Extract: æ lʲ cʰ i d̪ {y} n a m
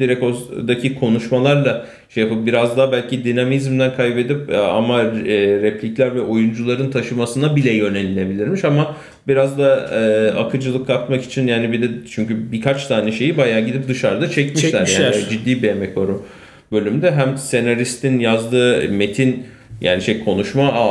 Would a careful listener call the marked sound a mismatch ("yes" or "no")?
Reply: yes